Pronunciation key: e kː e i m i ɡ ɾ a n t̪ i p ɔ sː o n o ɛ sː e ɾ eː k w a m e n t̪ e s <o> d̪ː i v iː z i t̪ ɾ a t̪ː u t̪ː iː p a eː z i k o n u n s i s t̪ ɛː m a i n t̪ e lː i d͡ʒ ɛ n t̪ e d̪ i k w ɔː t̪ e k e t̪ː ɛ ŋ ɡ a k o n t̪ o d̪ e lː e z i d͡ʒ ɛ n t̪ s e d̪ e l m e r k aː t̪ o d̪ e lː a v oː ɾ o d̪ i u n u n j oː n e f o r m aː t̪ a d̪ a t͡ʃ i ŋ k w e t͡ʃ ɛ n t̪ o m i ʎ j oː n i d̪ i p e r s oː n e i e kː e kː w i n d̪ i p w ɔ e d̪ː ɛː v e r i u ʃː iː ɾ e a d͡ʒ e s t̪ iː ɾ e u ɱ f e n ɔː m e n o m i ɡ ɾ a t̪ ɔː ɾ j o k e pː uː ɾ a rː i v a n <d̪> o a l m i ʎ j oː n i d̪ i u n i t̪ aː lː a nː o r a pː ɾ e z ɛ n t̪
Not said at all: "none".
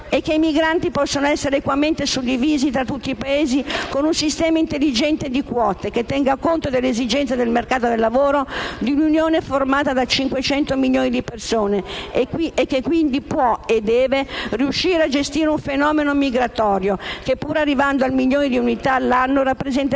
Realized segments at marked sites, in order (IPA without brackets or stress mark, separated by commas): u, d̪